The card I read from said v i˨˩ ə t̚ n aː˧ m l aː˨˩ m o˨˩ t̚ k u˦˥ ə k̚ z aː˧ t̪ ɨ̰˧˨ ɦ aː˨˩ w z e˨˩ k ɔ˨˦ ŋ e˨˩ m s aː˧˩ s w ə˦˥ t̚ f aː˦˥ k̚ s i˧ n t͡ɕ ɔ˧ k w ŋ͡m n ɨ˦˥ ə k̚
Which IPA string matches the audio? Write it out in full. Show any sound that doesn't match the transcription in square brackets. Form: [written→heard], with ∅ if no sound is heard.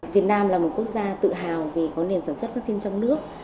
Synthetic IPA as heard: v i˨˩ ə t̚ n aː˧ m l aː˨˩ m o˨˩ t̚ k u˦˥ ə k̚ z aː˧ t̪ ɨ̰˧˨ ɦ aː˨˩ w [z→v] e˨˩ k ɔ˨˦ [ŋ→n] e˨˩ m s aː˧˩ s w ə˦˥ t̚ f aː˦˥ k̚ s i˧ n t͡ɕ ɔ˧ [k→∅] w ŋ͡m n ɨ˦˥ ə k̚